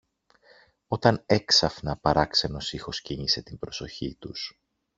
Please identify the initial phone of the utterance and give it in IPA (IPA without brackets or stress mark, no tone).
o̞